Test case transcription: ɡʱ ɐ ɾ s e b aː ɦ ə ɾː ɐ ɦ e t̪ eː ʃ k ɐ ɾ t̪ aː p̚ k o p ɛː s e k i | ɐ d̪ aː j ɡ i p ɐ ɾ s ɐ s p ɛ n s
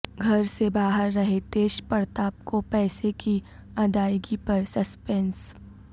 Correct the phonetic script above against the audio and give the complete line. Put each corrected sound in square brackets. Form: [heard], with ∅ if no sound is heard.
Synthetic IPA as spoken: ɡʱ ɐ ɾ s e b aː ɦ ə ɾː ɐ ɦ e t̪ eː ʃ [p] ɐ ɾ t̪ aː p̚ k o p ɛː s e k i | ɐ d̪ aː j ɡ i p ɐ ɾ s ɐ s p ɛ n s